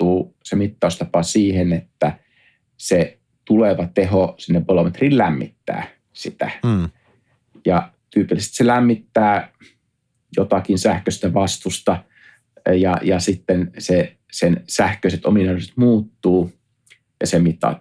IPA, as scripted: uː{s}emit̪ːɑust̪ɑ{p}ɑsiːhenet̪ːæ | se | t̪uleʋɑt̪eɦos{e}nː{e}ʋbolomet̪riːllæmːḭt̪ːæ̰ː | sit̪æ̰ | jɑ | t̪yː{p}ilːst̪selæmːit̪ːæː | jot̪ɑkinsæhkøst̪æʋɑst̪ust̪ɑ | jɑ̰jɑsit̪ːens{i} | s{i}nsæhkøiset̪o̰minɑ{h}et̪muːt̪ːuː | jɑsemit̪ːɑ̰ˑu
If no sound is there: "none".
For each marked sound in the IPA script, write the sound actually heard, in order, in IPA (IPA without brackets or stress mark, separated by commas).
s, p, i, e, p, e, e, s